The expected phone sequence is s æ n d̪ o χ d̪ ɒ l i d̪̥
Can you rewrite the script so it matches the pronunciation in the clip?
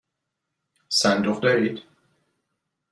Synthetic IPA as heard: s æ n d̪ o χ d̪ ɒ ɾ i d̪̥